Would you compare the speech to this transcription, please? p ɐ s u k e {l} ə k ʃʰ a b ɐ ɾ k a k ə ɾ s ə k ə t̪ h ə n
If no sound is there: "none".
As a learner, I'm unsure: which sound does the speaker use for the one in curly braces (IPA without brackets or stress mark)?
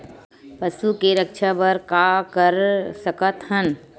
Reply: ɾ